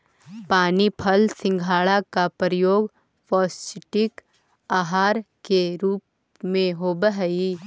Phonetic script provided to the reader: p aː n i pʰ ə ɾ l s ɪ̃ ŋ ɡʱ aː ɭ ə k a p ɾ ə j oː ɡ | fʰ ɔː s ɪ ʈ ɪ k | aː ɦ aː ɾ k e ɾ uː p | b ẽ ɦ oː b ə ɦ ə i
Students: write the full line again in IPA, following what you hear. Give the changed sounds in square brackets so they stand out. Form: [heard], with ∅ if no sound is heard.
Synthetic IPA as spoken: p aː n i pʰ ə [∅] l s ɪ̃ ŋ ɡʱ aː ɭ [a] k a p ɾ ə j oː ɡ | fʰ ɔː s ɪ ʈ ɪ k | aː ɦ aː ɾ k e ɾ uː p | [m] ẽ ɦ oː b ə ɦ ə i